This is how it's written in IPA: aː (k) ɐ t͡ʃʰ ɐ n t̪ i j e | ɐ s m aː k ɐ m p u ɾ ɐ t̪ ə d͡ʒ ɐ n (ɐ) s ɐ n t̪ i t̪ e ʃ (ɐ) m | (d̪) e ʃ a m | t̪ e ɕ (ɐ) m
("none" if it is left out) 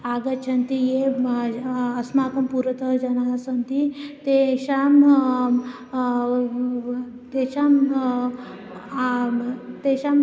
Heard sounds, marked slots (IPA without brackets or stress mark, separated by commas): ɡ, a, a, t̪, a